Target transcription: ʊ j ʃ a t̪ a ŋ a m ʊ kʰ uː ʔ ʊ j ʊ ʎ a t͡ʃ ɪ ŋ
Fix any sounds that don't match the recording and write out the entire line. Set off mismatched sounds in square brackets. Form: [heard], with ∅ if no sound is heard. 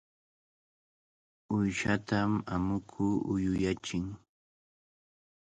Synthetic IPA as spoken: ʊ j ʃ a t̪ a [m] a m ʊ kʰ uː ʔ ʊ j ʊ [j] a t͡ʃ ɪ ŋ